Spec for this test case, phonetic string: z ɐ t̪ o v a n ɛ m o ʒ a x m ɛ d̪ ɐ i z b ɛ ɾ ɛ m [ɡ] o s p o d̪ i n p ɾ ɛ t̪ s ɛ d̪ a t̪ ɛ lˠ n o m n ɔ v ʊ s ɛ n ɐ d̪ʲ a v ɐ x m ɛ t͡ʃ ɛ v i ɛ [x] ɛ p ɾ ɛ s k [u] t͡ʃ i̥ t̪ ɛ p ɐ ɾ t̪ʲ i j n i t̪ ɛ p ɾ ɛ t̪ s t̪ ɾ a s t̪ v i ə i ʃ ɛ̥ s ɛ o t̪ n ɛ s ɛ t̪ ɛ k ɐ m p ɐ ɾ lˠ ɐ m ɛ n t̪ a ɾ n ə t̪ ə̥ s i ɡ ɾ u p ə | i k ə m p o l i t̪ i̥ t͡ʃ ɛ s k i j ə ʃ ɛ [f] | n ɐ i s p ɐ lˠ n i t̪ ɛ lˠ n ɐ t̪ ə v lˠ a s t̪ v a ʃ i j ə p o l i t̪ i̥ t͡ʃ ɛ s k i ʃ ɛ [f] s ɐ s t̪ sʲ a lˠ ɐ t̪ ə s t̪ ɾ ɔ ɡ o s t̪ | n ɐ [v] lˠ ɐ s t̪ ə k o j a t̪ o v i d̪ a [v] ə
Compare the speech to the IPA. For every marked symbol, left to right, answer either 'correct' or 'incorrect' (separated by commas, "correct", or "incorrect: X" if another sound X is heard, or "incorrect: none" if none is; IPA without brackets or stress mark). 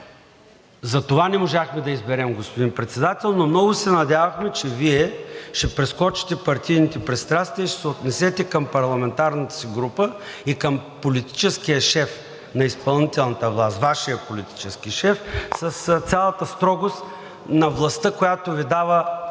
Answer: correct, incorrect: ʃ, incorrect: ɔ, correct, correct, correct, correct